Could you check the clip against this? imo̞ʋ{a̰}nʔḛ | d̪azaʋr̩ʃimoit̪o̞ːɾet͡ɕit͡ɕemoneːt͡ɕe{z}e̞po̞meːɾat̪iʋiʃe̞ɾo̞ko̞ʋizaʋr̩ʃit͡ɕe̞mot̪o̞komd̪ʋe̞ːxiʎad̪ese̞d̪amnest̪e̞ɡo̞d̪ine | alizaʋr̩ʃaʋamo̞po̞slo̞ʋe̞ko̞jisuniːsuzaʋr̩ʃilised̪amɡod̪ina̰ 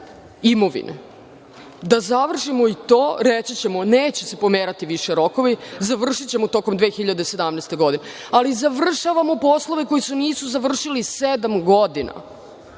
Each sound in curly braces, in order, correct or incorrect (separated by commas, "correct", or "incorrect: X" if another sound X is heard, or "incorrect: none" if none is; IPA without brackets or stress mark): incorrect: ḭ, incorrect: s